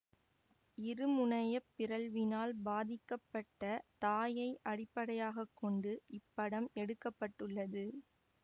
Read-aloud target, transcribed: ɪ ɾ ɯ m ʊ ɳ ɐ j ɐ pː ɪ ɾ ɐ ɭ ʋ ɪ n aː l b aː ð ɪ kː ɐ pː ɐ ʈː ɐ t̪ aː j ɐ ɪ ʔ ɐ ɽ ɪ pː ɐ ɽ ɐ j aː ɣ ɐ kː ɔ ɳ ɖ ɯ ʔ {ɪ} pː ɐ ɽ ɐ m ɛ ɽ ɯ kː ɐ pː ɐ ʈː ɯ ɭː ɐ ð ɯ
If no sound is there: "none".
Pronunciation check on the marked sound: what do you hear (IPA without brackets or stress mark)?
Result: ɪ